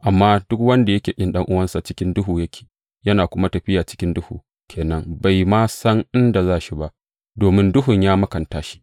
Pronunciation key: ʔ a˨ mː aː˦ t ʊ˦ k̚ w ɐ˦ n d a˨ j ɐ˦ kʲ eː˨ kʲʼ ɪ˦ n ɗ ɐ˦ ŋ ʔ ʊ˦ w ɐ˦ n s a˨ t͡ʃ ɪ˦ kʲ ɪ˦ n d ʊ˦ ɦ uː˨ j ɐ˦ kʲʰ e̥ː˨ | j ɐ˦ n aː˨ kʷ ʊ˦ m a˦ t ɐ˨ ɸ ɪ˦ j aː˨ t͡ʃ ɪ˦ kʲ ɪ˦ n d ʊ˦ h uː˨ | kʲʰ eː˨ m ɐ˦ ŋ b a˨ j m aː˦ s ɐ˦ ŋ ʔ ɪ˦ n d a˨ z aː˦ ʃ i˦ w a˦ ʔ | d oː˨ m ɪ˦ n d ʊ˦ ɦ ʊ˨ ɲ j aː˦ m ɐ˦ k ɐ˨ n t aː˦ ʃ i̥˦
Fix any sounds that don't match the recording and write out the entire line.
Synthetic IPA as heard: ʔ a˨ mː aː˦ d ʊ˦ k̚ w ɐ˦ n d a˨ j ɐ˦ kʲ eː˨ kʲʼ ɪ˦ n ɗ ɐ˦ ŋ ʔ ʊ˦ w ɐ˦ n s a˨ t͡ʃ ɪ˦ kʲ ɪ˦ n d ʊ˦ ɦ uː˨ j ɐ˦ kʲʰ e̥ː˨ | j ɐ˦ n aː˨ kʷ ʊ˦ m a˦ t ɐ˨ ɸ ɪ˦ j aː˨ t͡ʃ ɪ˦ kʲ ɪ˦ n d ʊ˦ h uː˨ | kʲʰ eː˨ n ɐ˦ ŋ b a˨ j m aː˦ s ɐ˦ ŋ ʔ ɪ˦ n d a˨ z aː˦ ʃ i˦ b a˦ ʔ | d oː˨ m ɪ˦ n d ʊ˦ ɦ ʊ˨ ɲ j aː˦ m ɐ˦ k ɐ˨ n t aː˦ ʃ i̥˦